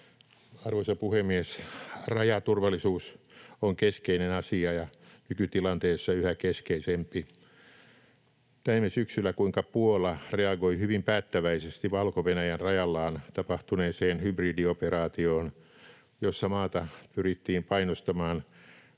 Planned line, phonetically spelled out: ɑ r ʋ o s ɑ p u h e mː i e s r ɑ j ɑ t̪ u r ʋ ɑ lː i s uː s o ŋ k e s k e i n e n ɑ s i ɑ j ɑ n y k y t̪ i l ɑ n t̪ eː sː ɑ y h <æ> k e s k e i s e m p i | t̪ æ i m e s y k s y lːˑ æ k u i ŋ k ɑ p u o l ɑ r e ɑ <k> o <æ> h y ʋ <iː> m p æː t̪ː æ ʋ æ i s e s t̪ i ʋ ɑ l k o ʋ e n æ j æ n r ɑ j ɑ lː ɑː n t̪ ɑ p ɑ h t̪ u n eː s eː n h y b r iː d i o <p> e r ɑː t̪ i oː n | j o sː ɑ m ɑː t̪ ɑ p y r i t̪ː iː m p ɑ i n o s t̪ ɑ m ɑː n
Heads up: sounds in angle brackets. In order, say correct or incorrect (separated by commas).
correct, incorrect, incorrect, incorrect, correct